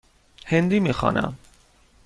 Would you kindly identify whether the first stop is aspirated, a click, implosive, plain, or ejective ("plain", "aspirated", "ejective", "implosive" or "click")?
plain